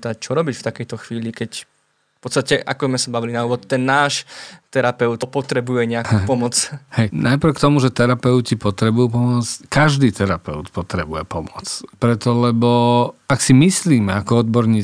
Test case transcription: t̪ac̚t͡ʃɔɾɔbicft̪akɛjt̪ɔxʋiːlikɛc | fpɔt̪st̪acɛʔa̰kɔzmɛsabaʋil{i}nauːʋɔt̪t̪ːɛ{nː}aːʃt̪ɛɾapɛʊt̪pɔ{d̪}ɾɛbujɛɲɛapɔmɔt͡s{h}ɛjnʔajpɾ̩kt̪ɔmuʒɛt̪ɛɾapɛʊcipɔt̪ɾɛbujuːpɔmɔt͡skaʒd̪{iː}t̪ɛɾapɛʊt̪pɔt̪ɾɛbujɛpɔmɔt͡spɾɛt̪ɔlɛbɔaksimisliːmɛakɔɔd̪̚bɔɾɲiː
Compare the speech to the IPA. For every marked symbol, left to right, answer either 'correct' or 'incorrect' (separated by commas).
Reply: correct, correct, incorrect, correct, correct